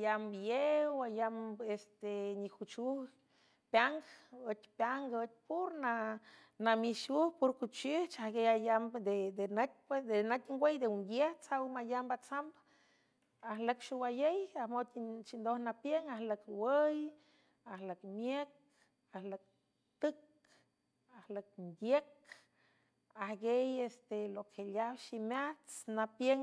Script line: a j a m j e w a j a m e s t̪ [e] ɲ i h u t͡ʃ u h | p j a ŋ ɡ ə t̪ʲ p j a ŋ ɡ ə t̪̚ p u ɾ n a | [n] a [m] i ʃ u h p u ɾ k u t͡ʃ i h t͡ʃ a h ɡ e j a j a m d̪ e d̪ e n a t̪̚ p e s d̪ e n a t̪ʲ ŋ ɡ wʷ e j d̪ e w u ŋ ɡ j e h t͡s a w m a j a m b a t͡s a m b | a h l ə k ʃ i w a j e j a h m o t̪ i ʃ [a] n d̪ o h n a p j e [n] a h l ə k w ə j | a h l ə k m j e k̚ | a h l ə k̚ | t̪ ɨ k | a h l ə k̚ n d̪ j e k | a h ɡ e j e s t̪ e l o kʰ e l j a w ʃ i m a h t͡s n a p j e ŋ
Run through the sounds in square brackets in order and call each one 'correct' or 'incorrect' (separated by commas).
correct, correct, correct, incorrect, incorrect